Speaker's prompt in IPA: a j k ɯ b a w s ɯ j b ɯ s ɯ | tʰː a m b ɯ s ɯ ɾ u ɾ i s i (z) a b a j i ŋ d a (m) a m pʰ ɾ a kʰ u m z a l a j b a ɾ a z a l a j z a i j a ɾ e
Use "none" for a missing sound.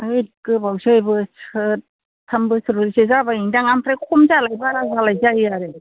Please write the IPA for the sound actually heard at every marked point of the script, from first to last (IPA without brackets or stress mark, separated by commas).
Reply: z, ŋ